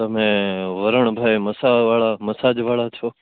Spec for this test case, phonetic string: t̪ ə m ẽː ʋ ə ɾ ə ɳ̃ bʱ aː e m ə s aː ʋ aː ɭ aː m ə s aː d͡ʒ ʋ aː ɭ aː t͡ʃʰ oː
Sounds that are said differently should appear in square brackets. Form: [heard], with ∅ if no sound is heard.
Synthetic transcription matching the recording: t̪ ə m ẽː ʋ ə ɾ ə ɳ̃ bʱ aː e m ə s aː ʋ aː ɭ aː m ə s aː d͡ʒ ʋ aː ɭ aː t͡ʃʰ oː